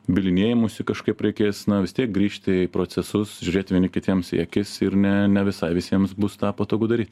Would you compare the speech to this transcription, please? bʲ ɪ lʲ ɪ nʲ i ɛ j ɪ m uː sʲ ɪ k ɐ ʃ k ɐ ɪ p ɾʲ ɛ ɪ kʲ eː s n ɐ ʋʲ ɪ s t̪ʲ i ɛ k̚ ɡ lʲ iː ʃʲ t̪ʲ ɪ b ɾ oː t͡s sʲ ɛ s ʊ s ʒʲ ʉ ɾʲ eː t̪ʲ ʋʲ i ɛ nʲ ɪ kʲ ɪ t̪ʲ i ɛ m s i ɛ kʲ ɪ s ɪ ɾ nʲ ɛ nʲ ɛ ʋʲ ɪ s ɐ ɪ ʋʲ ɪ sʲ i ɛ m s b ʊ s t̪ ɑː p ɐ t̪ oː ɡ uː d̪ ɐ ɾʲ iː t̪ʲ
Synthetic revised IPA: bʲ ɪ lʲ ɪ nʲ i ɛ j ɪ m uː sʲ ɪ k ɐ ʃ k ɐ ɪ p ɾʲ ɛ ɪ kʲ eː s n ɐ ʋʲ ɪ s t̪ʲ i ɛ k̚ ɡ ɾʲ iː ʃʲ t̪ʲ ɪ p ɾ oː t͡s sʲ ɛ s ʊ s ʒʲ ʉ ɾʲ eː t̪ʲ ʋʲ i ɛ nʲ ɪ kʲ ɪ t̪ʲ i ɛ m s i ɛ kʲ ɪ s ɪ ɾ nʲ ɛ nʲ ɛ ʋʲ ɪ s ɐ ɪ ʋʲ ɪ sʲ i ɛ m s b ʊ s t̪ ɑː p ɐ t̪ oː ɡ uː d̪ ɐ ɾʲ iː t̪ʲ